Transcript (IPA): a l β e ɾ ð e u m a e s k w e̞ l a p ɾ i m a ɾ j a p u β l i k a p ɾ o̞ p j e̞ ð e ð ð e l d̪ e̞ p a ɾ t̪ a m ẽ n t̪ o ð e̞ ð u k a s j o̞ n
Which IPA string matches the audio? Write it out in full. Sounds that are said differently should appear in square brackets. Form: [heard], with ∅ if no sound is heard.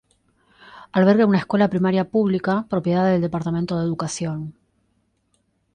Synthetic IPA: a l β e ɾ [ɣ] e u [n] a e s k w e̞ l a p ɾ i m a ɾ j a p u β l i k a p ɾ o̞ p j e̞ ð [a] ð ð e l d̪ e̞ p a ɾ t̪ a m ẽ n t̪ o ð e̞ ð u k a s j o̞ n